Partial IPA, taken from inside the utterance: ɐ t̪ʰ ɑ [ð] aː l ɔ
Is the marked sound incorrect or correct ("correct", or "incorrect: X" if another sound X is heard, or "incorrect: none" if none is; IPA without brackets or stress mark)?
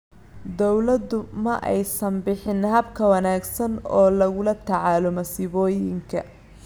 incorrect: ʕ